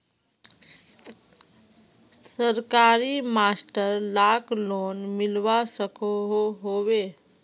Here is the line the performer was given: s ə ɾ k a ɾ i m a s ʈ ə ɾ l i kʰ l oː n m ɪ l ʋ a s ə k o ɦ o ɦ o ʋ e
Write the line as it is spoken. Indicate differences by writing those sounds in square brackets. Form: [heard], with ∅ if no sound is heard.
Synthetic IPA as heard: s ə ɾ k a ɾ i m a s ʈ ə ɾ l [a] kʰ l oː n m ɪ l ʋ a s ə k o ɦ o ɦ o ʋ e